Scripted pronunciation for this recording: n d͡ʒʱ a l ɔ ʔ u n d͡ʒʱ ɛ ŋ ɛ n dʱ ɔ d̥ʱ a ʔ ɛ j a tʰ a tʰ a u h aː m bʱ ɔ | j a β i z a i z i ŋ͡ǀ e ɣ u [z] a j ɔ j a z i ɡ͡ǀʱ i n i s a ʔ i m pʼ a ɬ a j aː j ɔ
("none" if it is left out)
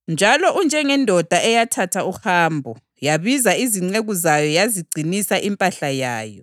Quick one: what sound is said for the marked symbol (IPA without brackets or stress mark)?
z